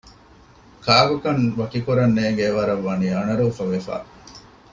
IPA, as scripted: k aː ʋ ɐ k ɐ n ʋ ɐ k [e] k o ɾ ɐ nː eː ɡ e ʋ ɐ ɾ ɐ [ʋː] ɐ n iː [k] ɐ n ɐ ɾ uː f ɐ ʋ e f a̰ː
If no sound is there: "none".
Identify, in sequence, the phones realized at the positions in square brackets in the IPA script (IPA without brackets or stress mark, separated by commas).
i, ʋː, none